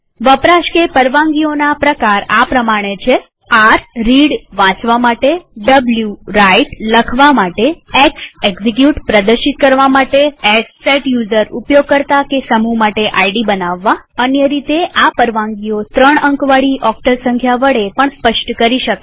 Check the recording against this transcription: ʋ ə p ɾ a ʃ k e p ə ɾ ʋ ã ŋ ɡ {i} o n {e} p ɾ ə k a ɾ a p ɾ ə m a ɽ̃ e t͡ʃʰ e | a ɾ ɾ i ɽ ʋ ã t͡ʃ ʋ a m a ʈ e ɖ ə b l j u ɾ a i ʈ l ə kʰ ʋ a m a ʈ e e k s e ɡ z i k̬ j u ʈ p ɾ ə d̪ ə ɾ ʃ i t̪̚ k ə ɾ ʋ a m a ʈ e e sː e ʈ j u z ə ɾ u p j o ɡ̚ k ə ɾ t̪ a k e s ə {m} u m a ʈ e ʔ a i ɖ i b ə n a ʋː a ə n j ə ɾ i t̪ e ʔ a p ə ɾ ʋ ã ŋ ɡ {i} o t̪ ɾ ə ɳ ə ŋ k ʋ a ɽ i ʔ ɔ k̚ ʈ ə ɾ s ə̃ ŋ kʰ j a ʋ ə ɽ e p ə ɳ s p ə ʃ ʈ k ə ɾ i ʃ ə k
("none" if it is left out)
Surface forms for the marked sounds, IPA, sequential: i, a, m, i

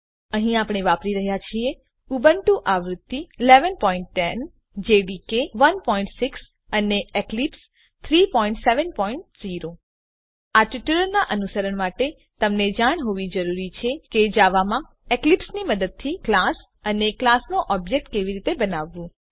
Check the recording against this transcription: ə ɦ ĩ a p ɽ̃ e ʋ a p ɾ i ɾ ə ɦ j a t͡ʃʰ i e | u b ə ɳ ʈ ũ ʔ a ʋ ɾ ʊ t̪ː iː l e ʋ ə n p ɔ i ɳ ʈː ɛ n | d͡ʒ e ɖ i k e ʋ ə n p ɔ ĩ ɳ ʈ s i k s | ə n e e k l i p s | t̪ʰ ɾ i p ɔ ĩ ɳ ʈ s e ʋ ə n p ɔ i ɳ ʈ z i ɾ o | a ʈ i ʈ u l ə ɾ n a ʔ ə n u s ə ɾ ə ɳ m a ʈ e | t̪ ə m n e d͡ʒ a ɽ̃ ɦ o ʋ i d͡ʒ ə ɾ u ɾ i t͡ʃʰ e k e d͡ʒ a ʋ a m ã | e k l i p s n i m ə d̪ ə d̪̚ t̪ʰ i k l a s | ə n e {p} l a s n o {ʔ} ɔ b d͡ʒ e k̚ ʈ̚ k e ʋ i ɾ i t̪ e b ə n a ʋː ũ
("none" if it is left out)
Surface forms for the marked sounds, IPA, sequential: k, ʔ

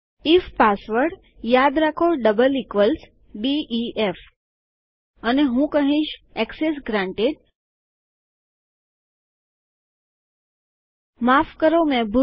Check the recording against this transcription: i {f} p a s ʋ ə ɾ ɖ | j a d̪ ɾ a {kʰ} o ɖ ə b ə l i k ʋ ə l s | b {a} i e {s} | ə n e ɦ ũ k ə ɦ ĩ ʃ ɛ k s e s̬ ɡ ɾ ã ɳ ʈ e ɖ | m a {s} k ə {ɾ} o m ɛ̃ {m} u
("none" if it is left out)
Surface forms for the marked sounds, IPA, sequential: f, kʰ, i, f, f, ɾ, b

